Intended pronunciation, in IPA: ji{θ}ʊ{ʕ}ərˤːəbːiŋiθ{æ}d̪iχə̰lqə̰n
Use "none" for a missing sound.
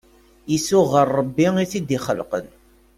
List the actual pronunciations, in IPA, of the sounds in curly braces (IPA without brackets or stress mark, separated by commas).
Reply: s, ʁ, i